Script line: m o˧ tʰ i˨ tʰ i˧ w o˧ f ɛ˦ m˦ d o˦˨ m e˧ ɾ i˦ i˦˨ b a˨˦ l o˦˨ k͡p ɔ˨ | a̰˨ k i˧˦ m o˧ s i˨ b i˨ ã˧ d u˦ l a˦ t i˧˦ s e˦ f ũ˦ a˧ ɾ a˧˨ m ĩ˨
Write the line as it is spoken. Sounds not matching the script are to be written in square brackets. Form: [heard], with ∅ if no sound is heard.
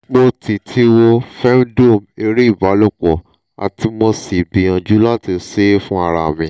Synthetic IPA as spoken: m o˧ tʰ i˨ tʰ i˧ w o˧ f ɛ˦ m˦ d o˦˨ m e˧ ɾ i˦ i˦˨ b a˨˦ l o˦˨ k͡p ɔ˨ | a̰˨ [t] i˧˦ m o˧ s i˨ b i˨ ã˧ [d͡ʒ] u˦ l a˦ t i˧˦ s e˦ f ũ˦ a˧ ɾ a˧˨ m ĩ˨